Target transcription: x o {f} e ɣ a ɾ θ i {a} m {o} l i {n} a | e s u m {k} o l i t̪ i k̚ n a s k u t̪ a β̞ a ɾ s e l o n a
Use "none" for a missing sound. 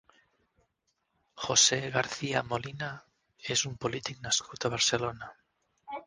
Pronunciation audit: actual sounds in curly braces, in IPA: s, a, o, n, p

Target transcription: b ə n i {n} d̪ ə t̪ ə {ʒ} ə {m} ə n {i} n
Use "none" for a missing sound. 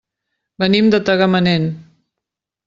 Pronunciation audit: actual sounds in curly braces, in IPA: m, ɣ, m, e

